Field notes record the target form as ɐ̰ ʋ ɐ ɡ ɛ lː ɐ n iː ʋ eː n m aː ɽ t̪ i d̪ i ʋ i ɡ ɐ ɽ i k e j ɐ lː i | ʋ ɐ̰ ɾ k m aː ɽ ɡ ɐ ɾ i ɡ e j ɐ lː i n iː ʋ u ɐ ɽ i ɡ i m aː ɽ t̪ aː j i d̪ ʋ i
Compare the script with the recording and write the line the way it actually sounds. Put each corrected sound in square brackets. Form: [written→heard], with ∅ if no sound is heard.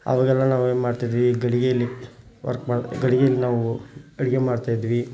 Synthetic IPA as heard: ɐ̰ ʋ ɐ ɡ ɛ lː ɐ n [iː→aː] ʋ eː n m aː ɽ t̪ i d̪ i ʋ i ɡ ɐ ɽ i [k→ɡ] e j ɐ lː i | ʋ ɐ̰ ɾ k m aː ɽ ɡ ɐ [ɾ→ɽ] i ɡ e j ɐ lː i n [iː→aː] ʋ u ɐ ɽ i ɡ [i→e] m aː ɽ t̪ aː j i d̪ ʋ i